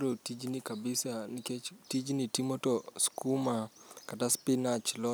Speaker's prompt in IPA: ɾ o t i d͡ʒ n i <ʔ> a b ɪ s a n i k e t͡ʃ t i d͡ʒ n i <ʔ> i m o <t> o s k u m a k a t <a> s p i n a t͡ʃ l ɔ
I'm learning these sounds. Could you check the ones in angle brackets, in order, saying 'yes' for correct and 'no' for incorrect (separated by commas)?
no, no, yes, yes